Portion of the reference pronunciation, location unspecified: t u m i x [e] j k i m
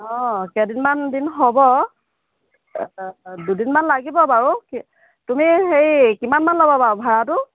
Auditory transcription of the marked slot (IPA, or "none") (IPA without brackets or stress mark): e